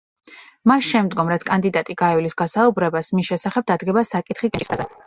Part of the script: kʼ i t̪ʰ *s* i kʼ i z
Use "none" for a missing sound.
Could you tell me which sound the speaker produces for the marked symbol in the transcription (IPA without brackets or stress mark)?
χ